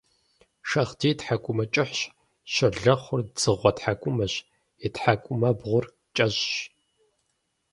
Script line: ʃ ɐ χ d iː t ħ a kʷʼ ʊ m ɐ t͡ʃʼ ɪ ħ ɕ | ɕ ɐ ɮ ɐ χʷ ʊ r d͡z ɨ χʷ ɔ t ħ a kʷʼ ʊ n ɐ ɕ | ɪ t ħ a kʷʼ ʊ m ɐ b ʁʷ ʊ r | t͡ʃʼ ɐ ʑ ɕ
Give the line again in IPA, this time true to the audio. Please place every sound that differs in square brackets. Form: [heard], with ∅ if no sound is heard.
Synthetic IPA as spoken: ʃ ɐ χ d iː t ħ a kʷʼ ʊ m ɐ t͡ʃʼ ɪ ħ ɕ | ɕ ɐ ɮ ɐ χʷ ʊ r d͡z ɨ [ʁʷ] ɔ t ħ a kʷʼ ʊ [m] ɐ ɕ | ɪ t ħ a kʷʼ ʊ m ɐ b ʁʷ ʊ r | t͡ʃʼ ɐ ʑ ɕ

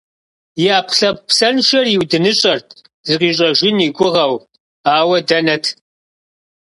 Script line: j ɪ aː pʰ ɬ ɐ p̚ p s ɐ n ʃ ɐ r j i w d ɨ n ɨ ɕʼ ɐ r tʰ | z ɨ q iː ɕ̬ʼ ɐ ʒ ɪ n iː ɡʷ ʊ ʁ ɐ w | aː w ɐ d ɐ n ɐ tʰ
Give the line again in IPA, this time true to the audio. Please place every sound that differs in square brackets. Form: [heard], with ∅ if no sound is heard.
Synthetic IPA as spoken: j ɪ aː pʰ ɬ ɐ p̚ p s ɐ n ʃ ɐ r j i w d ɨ n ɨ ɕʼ ɐ r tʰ | z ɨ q iː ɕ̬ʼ ɐ ʒ ɪ n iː ɡʷ ʊ ʁ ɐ w | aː w ɐ d ɐ n ɐ tʰ

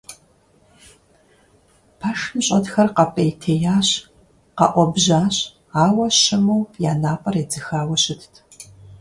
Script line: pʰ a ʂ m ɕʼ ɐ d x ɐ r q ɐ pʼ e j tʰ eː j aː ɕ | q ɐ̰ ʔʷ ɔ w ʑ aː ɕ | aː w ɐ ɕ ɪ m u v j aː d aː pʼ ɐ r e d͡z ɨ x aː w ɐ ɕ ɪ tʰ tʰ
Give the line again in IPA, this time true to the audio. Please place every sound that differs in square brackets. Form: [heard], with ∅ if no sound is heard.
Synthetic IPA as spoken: pʰ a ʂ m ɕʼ ɐ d x ɐ r q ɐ pʼ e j tʰ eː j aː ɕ | q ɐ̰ ʔʷ ɔ [b] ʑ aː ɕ | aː w ɐ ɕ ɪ m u [w] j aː [n] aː pʼ ɐ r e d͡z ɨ x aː w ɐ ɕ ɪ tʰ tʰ

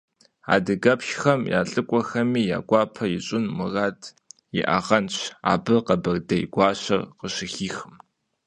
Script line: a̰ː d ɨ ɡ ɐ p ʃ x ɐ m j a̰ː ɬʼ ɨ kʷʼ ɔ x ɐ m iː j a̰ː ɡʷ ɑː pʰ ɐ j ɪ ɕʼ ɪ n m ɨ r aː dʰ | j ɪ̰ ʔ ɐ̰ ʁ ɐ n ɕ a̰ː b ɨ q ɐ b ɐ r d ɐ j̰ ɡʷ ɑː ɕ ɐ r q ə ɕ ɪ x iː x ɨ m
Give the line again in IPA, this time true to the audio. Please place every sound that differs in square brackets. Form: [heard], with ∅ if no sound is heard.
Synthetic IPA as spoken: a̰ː d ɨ ɡ ɐ p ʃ x ɐ m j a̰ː ɬʼ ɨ kʷʼ ɔ x ɐ m iː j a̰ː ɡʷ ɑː pʰ ɐ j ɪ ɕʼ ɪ n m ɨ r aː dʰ | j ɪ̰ ʔ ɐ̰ ʁ ɐ n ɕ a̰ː b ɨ q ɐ b ɐ r d ɐ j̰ ɡʷ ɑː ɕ ɐ r q ə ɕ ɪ x iː x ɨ m

